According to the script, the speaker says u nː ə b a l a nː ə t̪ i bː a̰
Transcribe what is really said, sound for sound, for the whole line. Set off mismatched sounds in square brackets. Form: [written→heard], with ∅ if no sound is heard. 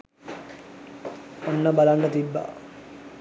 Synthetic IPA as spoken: [u→o] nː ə b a l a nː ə t̪ i bː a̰